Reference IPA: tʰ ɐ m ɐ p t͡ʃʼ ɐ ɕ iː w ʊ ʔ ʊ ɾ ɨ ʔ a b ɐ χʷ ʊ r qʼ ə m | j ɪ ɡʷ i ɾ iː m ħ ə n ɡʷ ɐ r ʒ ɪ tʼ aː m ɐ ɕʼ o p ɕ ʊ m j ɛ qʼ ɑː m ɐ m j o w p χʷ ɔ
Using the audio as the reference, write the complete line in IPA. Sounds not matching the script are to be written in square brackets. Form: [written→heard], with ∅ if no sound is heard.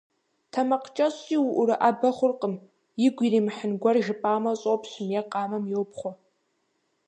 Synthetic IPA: tʰ ɐ m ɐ [p→q] t͡ʃʼ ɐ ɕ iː w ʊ ʔ ʊ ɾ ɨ ʔ a b ɐ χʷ ʊ r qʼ ə m | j ɪ ɡʷ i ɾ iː m ħ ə n ɡʷ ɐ r ʒ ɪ [tʼ→pʼ] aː m ɐ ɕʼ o p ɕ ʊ m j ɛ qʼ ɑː m ɐ m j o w p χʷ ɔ